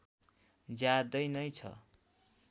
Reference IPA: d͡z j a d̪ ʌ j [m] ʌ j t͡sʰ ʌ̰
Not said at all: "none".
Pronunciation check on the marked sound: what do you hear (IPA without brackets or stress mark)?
n